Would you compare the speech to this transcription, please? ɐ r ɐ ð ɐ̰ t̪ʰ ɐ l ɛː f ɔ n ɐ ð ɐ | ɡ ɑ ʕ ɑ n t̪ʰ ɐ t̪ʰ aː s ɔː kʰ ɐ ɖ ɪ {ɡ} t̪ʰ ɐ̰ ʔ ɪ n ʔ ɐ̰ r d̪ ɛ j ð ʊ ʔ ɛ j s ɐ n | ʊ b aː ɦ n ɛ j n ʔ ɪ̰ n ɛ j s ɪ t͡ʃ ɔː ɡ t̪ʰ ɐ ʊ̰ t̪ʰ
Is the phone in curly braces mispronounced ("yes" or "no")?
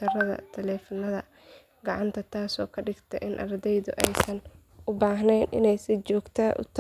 no